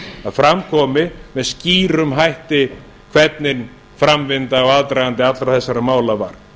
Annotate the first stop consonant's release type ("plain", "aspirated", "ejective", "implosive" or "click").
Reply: aspirated